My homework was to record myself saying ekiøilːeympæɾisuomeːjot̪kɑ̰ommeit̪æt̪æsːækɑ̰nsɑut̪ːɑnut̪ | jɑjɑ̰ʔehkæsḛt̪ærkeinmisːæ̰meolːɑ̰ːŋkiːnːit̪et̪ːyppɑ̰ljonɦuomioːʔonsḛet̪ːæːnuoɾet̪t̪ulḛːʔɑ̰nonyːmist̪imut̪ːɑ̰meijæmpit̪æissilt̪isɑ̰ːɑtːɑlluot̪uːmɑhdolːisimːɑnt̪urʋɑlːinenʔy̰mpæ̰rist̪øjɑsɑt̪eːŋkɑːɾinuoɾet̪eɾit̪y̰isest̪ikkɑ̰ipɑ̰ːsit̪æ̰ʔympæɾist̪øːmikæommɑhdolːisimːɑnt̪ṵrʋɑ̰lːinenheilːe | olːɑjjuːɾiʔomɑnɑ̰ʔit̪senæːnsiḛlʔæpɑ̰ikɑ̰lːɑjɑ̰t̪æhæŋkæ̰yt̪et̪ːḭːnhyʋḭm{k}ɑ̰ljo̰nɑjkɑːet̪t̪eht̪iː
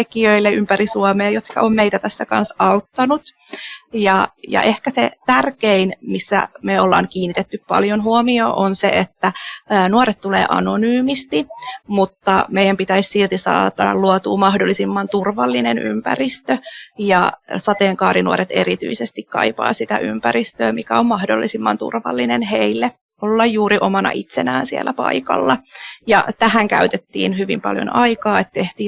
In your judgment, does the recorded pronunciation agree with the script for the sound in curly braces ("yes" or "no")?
no